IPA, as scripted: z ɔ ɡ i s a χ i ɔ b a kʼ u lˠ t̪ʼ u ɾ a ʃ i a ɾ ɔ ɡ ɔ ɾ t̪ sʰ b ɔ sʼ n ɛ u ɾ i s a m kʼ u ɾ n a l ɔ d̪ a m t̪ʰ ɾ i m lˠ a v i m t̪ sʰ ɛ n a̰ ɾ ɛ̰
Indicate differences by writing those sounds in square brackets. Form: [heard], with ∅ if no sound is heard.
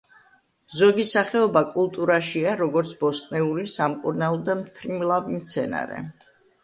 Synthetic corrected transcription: z ɔ ɡ i s a χ [ɛ] ɔ b a kʼ u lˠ t̪ʼ u ɾ a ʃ i a ɾ ɔ ɡ ɔ ɾ t̪ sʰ b ɔ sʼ n ɛ u ɾ i s a m kʼ u ɾ n a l ɔ d̪ a m t̪ʰ ɾ i m lˠ a v i m t̪ sʰ ɛ n a̰ ɾ ɛ̰

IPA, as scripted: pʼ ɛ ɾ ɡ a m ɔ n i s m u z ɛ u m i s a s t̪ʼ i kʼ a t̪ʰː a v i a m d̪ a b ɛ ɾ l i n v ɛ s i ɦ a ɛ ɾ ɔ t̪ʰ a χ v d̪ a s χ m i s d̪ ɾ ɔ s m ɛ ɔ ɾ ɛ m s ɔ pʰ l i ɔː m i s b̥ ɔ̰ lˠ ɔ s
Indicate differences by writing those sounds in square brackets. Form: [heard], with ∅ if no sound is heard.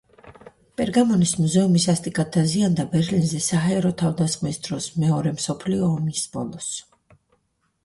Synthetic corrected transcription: pʼ ɛ ɾ ɡ a m ɔ n i s m u z ɛ u m i s a s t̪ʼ i kʼ a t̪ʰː a [z] i a [n] d̪ a b ɛ ɾ l i n [z] ɛ s [a] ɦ a ɛ ɾ ɔ t̪ʰ a [∅] v d̪ a s χ m i s d̪ ɾ ɔ s m ɛ ɔ ɾ ɛ m s ɔ pʰ l i ɔː m i s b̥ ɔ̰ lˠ ɔ s

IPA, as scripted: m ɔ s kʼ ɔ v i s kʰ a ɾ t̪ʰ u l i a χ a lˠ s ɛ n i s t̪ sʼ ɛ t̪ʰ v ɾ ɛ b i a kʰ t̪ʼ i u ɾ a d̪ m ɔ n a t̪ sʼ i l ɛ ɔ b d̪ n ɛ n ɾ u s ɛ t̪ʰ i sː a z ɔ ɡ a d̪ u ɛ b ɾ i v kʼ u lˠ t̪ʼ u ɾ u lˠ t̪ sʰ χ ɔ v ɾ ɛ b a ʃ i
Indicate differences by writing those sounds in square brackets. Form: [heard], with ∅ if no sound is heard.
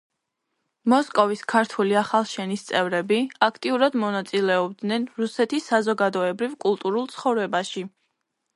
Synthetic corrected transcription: m ɔ s kʼ ɔ v i s kʰ a ɾ t̪ʰ u l i a χ a lˠ [ʃ] ɛ n i s t̪ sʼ ɛ [∅] v ɾ ɛ b i a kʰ t̪ʼ i u ɾ a d̪ m ɔ n a t̪ sʼ i l ɛ ɔ b d̪ n ɛ n ɾ u s ɛ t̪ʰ i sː a z ɔ ɡ a d̪ [ɔ] ɛ b ɾ i v kʼ u lˠ t̪ʼ u ɾ u lˠ t̪ sʰ χ ɔ v ɾ ɛ b a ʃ i

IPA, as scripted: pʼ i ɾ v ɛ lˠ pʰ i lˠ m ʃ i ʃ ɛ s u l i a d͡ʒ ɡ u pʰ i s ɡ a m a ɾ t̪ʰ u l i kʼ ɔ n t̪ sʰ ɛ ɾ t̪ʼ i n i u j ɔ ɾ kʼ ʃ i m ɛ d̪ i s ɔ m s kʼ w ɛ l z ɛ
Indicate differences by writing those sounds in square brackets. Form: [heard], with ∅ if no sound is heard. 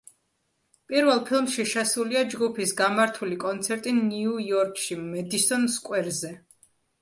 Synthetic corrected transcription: pʼ i ɾ v ɛ lˠ pʰ i lˠ m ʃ i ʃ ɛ s u l i a d͡ʒ ɡ u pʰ i s ɡ a m a ɾ t̪ʰ u l i kʼ ɔ n t̪ sʰ ɛ ɾ t̪ʼ i n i u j ɔ ɾ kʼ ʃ i m ɛ d̪ i s ɔ [n] s kʼ w ɛ [ɾ] z ɛ

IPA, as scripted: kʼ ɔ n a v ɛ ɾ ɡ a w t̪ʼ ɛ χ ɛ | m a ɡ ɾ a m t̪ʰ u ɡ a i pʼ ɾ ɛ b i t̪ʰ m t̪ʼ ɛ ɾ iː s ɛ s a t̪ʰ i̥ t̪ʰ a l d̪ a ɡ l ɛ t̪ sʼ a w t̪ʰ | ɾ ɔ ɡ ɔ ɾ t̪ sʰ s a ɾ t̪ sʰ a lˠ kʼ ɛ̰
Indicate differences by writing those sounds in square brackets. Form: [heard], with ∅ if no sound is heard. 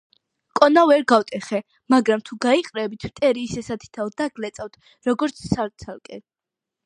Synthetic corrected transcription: kʼ ɔ n a v ɛ ɾ ɡ a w t̪ʼ ɛ χ ɛ | m a ɡ ɾ a m t̪ʰ u ɡ a i [qʼ] ɾ ɛ b i t̪ʰ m t̪ʼ ɛ ɾ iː s ɛ s a t̪ʰ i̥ t̪ʰ a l d̪ a ɡ l ɛ t̪ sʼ a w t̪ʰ | ɾ ɔ ɡ ɔ ɾ t̪ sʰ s a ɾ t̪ sʰ a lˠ kʼ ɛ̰

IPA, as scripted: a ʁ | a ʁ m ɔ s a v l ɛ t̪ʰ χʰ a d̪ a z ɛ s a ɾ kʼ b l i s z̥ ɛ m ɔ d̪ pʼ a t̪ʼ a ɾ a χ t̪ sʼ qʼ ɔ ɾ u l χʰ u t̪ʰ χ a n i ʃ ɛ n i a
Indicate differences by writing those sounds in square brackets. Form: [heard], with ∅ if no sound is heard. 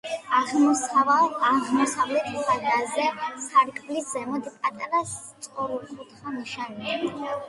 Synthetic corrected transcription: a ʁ | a ʁ m ɔ s a v l ɛ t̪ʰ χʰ a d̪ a z ɛ s a ɾ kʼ b l i s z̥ ɛ m ɔ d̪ pʼ a t̪ʼ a ɾ a [s] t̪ sʼ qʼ ɔ ɾ u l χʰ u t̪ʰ χ a n i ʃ [a] n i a

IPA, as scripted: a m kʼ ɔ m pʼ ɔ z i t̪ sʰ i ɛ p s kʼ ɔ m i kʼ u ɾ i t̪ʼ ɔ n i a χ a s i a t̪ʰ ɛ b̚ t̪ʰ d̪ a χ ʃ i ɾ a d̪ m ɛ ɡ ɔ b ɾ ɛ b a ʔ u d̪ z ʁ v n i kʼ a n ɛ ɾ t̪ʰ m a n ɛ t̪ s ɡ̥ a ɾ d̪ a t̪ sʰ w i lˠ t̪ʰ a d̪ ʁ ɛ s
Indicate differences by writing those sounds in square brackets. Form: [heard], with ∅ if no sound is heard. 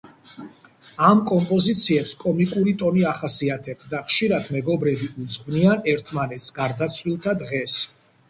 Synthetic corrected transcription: a m kʼ ɔ m pʼ ɔ z i t̪ sʰ i ɛ p s kʼ ɔ m i kʼ u ɾ i t̪ʼ ɔ n i a χ a s i a t̪ʰ ɛ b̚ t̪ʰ d̪ a χ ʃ i ɾ a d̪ m ɛ ɡ ɔ b ɾ ɛ b [i] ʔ u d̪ z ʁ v n i [∅] a n ɛ ɾ t̪ʰ m a n ɛ t̪ s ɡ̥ a ɾ d̪ a t̪ sʰ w i lˠ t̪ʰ a d̪ ʁ ɛ s

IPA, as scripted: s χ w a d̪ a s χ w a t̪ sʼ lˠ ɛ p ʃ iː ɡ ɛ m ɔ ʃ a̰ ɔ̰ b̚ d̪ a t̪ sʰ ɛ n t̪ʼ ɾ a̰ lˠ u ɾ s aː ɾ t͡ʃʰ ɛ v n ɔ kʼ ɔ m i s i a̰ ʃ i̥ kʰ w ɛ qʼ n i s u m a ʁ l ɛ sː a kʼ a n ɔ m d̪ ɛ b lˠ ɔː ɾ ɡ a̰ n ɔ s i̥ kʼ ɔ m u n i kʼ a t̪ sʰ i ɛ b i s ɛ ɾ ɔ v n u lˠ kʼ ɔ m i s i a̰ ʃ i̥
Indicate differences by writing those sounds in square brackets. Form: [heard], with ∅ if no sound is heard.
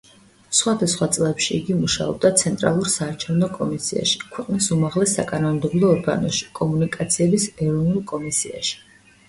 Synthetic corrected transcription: s χ w a d̪ a s χ w a t̪ sʼ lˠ ɛ p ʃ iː ɡ [i] m [u] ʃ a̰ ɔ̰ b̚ d̪ a t̪ sʰ ɛ n t̪ʼ ɾ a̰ lˠ u ɾ s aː ɾ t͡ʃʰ ɛ v n ɔ kʼ ɔ m i s i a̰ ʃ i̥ kʰ w ɛ qʼ n i s u m a ʁ l ɛ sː a kʼ a n ɔ m d̪ ɛ b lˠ ɔː ɾ ɡ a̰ n ɔ [ʃ] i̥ kʼ ɔ m u n i kʼ a t̪ sʰ i ɛ b i s ɛ ɾ ɔ v n u lˠ kʼ ɔ m i s i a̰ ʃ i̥

